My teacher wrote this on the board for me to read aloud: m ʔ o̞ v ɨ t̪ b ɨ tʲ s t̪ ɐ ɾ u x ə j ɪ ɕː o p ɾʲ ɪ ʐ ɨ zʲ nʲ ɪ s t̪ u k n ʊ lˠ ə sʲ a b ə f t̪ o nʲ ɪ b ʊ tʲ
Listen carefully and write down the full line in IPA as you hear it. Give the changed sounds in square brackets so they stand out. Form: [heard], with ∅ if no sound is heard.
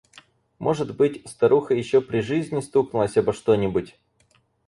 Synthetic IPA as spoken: m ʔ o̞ [ʐ] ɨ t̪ b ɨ tʲ s t̪ ɐ ɾ u x ə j ɪ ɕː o p ɾʲ ɪ ʐ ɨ zʲ nʲ ɪ s t̪ u k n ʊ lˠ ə sʲ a b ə [ʂ] t̪ o nʲ ɪ b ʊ tʲ